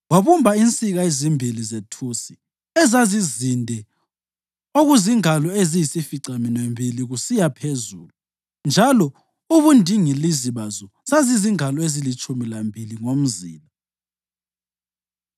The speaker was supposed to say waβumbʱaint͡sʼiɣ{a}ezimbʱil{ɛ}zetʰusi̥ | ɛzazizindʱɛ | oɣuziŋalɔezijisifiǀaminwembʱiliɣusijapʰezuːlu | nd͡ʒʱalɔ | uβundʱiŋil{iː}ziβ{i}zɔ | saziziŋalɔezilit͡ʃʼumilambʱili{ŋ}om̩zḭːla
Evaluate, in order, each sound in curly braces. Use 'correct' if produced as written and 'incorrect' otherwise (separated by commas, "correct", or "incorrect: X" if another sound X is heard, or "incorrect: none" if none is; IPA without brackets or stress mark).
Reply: correct, incorrect: i, incorrect: i, incorrect: a, correct